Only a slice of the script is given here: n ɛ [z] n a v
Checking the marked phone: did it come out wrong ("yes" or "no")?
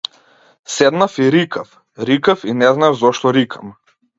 no